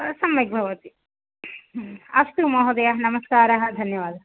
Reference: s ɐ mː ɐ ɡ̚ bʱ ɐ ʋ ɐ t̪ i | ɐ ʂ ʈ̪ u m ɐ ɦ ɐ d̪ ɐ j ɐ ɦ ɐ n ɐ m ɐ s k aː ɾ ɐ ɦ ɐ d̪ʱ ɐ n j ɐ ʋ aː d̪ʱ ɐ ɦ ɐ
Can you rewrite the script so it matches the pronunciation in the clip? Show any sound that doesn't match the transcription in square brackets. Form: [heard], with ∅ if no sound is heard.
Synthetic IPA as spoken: s ɐ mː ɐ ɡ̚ bʱ ɐ ʋ ɐ t̪ i | ɐ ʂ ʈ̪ u m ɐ ɦ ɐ d̪ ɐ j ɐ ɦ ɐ n ɐ m ɐ s k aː ɾ ɐ ɦ ɐ d̪ʱ ɐ n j ɐ ʋ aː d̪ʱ ɐ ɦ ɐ